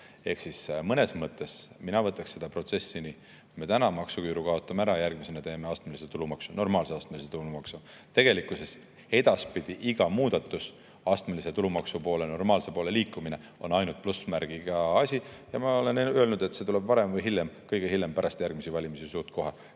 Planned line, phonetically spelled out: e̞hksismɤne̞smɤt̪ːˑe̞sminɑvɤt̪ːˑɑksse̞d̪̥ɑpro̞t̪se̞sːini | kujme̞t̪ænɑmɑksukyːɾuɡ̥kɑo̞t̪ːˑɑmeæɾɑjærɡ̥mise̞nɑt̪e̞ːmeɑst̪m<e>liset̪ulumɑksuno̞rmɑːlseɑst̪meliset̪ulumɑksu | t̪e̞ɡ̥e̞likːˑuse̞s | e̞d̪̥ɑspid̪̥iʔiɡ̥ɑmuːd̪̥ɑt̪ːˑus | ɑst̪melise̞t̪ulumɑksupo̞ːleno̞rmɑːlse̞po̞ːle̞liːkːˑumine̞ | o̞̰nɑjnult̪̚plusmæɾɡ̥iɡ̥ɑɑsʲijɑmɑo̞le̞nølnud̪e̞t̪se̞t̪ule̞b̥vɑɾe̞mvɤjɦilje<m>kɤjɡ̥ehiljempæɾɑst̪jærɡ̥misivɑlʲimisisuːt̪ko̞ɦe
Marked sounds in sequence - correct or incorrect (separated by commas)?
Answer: correct, correct